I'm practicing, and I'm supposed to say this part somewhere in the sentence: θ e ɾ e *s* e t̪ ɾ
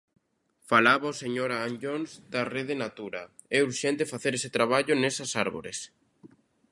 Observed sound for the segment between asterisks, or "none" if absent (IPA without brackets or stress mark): s